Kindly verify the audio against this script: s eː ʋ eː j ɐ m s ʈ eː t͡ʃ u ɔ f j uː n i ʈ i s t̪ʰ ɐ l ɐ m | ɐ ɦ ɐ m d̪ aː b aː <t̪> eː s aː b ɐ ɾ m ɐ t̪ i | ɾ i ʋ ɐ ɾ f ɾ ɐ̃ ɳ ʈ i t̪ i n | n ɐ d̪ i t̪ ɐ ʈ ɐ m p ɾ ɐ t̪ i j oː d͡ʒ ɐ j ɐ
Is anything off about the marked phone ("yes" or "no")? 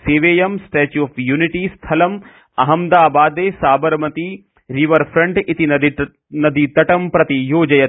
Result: yes